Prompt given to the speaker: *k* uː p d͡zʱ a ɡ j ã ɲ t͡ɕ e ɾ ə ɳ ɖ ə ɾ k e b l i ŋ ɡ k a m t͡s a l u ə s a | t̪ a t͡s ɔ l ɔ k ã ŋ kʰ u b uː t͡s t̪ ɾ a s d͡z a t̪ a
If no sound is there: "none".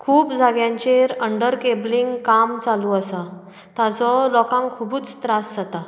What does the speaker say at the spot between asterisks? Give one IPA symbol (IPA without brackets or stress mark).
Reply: kʰ